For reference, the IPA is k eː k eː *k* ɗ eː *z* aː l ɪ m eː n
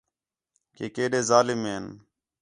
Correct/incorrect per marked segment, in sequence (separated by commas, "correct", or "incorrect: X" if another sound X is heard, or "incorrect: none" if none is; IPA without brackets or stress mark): incorrect: none, correct